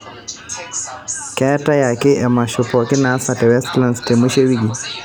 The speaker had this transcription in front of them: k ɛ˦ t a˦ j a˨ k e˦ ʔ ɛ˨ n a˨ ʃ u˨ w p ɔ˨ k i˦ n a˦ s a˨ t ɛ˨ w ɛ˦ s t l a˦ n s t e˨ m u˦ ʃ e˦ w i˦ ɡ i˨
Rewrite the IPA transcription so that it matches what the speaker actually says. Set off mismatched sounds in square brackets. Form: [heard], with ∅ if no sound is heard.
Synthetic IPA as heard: k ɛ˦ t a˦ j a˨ k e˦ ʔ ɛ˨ [m] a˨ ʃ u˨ [∅] p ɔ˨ k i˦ n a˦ s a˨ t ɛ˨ w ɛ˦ s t l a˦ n s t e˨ m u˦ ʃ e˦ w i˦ ɡ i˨